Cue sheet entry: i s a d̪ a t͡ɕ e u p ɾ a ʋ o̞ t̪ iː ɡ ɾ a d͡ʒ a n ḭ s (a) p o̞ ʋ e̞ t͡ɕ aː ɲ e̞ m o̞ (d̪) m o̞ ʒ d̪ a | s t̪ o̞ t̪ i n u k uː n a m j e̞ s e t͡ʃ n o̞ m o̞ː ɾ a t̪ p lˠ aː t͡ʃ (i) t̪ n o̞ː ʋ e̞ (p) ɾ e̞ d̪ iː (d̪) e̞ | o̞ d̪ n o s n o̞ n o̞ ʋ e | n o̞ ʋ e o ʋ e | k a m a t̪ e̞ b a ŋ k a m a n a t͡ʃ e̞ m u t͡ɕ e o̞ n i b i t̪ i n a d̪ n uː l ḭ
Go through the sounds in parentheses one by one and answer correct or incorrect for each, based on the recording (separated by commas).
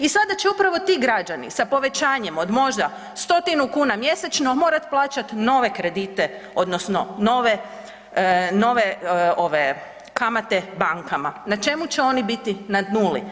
correct, correct, incorrect, incorrect, incorrect